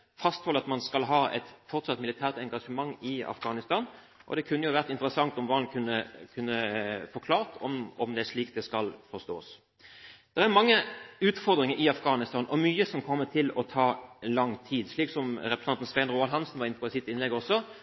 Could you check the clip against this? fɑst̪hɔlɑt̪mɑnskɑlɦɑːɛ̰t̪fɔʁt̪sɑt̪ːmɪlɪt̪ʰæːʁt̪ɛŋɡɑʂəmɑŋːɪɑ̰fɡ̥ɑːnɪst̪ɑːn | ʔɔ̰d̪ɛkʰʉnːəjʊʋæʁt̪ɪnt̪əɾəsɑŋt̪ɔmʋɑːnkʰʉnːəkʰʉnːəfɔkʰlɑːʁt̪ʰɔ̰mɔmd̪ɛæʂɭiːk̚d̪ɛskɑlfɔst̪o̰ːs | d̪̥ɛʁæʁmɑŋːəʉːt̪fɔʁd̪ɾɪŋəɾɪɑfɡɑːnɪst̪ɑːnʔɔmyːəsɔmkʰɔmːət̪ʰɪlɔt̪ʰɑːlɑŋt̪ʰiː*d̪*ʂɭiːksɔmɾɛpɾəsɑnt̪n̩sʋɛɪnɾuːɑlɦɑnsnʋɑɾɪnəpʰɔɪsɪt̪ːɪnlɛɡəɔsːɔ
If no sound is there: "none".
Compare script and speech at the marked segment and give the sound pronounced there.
d̪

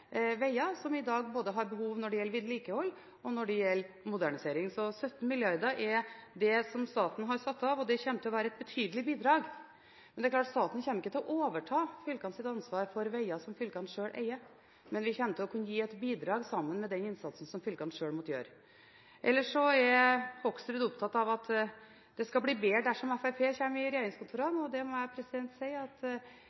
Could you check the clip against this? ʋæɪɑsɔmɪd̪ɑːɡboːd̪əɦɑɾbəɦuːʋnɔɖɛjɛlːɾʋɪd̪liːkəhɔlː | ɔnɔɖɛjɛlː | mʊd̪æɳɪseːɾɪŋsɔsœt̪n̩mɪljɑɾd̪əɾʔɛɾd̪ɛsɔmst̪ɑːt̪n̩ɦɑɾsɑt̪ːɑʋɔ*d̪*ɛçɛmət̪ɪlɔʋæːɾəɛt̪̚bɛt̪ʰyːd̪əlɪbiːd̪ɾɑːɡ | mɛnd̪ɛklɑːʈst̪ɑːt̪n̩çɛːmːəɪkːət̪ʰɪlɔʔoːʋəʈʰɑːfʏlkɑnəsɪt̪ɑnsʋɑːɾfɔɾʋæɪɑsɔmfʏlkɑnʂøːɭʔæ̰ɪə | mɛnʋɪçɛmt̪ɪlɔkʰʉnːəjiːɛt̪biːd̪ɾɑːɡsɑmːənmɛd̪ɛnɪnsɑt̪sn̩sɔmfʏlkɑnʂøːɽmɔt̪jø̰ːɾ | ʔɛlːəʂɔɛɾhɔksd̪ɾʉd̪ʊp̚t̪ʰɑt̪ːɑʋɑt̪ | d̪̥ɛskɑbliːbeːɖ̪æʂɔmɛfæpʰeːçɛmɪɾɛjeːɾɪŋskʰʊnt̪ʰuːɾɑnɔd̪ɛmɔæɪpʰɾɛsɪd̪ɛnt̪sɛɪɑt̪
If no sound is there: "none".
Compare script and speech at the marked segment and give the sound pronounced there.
d̪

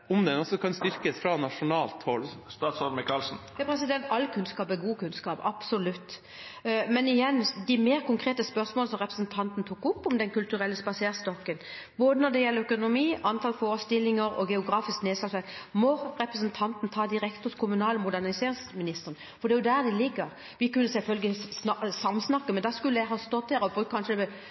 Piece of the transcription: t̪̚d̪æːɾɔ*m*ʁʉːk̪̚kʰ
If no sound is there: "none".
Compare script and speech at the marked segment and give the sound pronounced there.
b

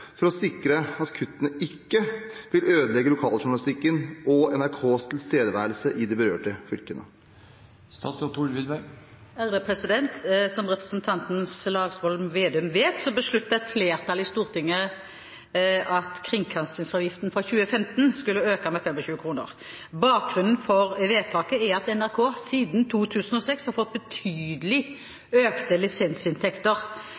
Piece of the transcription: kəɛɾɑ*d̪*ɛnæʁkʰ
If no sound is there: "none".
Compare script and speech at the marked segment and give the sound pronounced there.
t̪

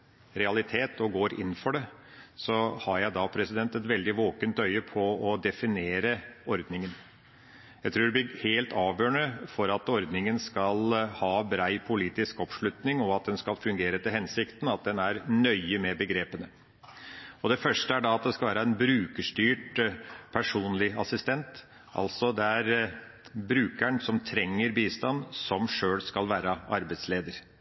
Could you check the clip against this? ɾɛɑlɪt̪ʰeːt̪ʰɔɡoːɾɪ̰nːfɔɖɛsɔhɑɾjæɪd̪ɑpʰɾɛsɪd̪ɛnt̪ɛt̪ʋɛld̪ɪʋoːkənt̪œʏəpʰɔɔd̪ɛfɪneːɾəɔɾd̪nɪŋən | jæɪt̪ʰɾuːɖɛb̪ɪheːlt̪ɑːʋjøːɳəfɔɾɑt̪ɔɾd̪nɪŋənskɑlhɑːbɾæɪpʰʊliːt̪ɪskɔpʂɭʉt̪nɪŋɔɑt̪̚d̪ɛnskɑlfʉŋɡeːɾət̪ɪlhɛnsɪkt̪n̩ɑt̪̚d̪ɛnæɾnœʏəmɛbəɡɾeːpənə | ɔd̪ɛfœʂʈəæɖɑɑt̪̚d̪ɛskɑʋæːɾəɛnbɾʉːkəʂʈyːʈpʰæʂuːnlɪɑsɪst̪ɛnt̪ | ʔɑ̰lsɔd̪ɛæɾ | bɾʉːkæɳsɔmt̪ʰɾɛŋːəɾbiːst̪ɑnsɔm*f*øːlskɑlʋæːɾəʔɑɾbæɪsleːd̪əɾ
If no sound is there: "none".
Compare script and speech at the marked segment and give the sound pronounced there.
ʂ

